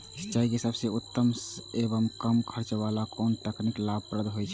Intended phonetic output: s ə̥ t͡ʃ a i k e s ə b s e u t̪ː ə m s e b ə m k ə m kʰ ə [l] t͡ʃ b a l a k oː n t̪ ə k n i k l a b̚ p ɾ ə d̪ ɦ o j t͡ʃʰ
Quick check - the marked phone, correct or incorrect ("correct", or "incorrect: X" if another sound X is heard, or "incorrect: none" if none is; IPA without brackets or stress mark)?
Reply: incorrect: ɾ